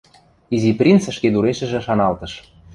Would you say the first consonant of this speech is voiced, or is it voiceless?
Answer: voiced